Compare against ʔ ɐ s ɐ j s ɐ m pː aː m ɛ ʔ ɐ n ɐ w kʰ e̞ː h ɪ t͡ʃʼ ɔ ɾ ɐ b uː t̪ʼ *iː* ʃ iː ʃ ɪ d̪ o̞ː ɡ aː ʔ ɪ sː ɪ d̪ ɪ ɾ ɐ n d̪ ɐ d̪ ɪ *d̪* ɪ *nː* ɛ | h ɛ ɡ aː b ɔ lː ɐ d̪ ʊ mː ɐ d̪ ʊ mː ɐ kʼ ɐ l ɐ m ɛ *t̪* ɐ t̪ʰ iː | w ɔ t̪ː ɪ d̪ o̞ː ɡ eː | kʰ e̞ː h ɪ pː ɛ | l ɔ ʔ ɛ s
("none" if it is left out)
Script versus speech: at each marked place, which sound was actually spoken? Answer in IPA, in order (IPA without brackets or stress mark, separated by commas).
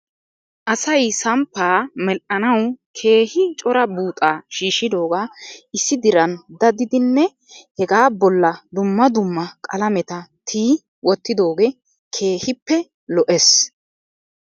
aː, d̪, nː, t̪